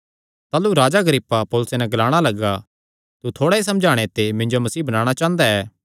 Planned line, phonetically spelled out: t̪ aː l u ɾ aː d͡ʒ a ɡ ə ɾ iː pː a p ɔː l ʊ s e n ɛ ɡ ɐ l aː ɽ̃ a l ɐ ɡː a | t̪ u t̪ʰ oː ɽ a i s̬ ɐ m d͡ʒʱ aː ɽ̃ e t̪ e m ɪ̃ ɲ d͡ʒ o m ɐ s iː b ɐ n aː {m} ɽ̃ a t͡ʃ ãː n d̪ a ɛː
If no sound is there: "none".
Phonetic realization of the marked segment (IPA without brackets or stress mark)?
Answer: none